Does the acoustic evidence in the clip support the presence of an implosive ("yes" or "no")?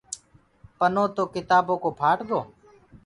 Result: no